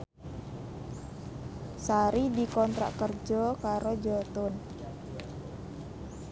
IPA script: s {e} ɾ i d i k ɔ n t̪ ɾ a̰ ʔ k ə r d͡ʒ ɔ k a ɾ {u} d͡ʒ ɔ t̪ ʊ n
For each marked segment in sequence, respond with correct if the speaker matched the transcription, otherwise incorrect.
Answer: incorrect, incorrect

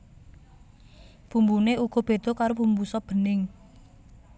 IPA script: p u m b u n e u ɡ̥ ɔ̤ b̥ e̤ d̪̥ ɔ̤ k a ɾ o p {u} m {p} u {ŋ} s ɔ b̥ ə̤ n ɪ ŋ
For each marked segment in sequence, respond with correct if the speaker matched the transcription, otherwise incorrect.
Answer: correct, incorrect, incorrect

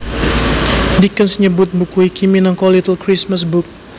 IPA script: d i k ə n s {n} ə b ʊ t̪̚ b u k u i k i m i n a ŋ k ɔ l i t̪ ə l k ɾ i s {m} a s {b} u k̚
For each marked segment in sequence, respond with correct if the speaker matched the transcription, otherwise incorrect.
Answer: incorrect, correct, correct

